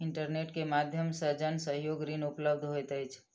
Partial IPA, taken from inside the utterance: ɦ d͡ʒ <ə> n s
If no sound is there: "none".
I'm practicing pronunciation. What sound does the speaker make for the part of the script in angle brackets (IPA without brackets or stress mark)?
ə